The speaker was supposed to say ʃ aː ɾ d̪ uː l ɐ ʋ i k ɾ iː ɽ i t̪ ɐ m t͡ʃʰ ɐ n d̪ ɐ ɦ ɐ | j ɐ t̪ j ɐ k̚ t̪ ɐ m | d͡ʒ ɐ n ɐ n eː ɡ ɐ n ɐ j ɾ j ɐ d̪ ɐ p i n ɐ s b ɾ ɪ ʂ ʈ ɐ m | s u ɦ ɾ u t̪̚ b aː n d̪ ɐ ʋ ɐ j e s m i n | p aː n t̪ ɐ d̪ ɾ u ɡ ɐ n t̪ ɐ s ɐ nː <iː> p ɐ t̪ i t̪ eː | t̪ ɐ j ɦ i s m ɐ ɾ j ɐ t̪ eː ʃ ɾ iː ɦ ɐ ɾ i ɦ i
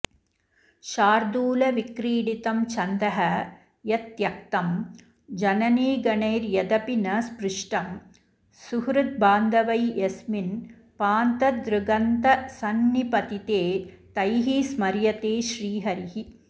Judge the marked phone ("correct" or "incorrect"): incorrect